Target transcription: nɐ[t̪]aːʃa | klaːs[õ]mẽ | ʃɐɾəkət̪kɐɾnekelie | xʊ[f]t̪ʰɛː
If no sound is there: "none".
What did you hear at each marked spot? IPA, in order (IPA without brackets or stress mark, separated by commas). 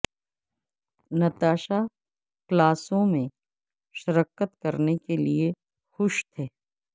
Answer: t̪, õ, ʃ